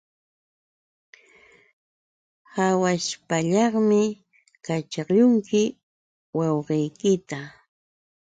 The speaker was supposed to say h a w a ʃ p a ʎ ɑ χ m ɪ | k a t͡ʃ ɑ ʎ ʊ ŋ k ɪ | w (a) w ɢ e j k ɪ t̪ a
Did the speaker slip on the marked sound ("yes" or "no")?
yes